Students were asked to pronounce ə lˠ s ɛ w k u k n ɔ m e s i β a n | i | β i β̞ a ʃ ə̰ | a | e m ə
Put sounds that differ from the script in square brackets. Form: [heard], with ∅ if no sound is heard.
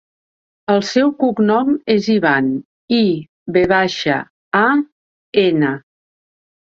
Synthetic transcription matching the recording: ə lˠ s ɛ w k u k n ɔ m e [z] i β a n | i | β [e] β̞ a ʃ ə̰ | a | e [n] ə